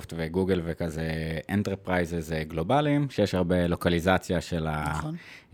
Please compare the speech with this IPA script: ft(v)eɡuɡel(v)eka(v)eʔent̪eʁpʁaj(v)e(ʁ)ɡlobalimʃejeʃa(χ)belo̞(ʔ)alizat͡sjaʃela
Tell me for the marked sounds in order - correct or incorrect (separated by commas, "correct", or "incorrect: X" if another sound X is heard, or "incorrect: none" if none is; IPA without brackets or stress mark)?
correct, correct, incorrect: z, incorrect: z, incorrect: z, incorrect: ʁ, incorrect: k